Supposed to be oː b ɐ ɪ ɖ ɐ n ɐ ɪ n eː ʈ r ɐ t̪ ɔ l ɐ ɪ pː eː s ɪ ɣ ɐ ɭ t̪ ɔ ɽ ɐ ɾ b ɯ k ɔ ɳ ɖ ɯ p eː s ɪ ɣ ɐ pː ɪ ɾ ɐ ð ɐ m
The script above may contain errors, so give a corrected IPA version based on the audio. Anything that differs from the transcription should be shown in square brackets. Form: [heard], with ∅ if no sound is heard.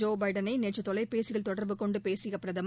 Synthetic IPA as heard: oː b ɐ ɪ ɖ ɐ n ɐ ɪ n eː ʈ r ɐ t̪ ɔ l ɐ ɪ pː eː s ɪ ɣ ɐ ɭ t̪ ɔ ɽ ɐ ɾ b ɯ k ɔ ɳ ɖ ɯ p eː s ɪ ɣ ɐ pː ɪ ɾ ɐ ð ɐ m